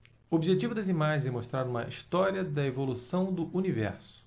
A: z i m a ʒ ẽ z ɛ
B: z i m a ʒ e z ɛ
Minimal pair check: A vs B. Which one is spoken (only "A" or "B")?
A